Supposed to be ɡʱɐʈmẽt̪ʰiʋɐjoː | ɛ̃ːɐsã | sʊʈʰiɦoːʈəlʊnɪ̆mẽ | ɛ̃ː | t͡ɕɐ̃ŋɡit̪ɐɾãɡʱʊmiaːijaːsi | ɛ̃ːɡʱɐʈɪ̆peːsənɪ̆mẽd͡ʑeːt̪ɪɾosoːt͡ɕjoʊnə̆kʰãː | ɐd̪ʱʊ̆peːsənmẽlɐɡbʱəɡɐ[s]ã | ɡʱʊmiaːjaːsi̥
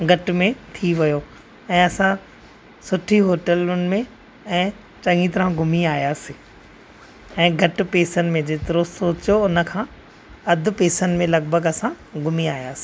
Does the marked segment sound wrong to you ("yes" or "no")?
no